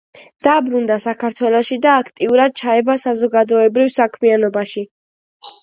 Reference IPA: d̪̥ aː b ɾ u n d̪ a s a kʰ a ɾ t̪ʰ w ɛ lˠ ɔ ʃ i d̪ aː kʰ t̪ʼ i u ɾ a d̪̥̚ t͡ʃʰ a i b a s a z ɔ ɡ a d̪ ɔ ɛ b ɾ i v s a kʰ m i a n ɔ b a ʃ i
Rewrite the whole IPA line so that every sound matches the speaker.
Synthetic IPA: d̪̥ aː b ɾ u n d̪ a s a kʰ a ɾ t̪ʰ w ɛ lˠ ɔ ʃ i d̪ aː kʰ t̪ʼ i u ɾ a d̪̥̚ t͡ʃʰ a ɛ b a s a z ɔ ɡ a d̪ ɔ ɛ b ɾ i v s a kʰ m i a n ɔ b a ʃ i